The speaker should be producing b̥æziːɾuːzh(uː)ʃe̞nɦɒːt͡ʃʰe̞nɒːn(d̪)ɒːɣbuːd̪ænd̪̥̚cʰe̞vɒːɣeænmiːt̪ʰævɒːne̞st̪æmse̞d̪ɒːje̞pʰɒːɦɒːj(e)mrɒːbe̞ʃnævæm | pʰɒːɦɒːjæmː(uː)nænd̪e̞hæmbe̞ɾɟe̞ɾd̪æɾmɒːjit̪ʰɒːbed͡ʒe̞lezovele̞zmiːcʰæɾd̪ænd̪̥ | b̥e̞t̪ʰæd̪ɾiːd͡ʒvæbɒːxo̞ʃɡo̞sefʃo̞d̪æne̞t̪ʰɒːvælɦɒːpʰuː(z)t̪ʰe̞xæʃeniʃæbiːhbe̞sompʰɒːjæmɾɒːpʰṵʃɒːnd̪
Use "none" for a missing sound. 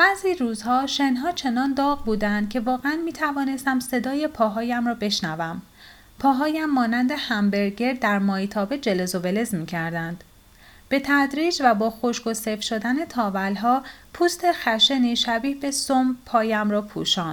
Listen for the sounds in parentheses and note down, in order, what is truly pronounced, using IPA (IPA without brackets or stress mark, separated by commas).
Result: ɒː, d̪, æ, ɒː, s